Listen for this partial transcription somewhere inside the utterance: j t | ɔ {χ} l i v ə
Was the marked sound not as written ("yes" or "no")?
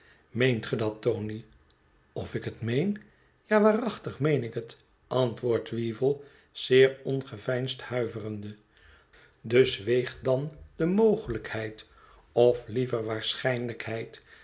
yes